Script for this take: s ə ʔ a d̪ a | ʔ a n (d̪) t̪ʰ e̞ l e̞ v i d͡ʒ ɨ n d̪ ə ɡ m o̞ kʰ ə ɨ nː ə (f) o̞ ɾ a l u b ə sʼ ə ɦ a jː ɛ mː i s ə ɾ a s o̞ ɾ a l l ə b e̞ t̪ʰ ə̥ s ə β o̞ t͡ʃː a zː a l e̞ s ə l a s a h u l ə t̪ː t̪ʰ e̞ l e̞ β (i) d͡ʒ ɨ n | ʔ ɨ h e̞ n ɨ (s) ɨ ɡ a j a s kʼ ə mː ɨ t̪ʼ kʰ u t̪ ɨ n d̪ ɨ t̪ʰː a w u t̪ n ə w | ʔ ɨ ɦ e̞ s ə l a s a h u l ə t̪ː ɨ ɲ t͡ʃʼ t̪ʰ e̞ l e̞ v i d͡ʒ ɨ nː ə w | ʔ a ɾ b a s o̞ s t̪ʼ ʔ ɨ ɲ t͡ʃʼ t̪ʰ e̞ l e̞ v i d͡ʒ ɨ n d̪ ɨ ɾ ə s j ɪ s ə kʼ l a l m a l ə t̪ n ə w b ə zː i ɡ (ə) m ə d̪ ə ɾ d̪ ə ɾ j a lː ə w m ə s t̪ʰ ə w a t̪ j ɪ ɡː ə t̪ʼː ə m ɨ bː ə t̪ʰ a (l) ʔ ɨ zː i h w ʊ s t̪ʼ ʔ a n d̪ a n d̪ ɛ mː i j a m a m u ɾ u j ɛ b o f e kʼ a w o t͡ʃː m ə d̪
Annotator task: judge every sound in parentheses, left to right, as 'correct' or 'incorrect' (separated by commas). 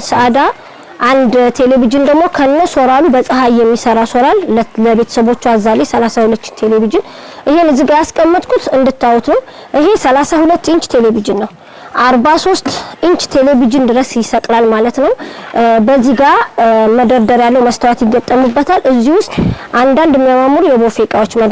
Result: correct, incorrect, correct, incorrect, incorrect, correct